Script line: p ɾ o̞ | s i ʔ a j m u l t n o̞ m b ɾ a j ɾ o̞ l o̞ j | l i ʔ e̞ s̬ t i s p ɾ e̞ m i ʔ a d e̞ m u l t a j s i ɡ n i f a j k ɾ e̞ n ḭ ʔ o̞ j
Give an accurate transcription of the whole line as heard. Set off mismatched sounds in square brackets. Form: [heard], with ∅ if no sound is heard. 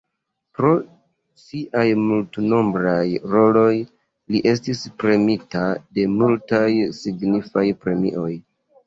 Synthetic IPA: p ɾ o̞ | s i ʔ a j m u l t n o̞ m b ɾ a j ɾ o̞ l o̞ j | l i ʔ e̞ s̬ t i s p ɾ e̞ m i [t] a d e̞ m u l t a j s i ɡ n i f a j [p] ɾ e̞ [m] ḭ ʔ o̞ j